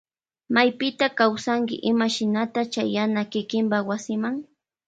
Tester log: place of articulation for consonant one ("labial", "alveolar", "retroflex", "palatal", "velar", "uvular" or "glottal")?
labial